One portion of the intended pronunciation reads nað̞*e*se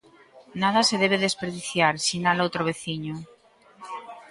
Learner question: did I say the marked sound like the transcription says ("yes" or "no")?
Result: no